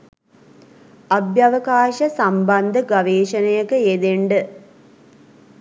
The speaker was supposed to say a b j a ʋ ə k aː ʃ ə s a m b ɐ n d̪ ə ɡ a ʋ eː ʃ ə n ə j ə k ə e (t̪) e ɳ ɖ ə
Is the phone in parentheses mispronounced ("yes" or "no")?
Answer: yes